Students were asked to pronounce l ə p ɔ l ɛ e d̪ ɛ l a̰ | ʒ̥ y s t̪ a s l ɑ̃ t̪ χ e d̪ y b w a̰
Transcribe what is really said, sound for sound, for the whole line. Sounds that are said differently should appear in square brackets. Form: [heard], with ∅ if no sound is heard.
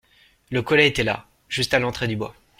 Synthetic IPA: l ə [k] ɔ l ɛ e [t̪] ɛ l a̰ | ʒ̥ y s t̪ a [∅] l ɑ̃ t̪ χ e d̪ y b w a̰